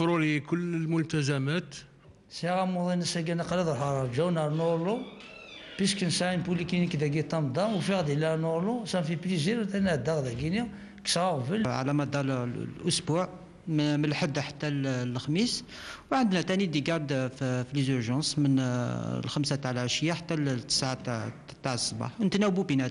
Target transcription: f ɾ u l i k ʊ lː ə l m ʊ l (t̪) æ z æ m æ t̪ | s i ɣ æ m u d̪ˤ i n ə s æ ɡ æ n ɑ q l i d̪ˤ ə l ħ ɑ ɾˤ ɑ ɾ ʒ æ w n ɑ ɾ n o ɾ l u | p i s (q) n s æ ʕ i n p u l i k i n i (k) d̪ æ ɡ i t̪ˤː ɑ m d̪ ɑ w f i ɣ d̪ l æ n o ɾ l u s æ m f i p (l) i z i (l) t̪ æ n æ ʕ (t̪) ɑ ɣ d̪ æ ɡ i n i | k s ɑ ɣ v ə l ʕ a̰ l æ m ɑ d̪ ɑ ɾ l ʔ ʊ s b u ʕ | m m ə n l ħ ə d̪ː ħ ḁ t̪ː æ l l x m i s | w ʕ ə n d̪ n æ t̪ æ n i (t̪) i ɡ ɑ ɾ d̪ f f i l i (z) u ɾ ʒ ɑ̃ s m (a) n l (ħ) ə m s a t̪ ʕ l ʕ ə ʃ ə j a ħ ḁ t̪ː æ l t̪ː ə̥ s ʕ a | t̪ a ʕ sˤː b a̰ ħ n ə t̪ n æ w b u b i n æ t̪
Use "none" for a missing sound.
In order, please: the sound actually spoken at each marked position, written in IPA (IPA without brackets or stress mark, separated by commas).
t̪, k, k, l, ɾ, d̪, d̪, z, ə, x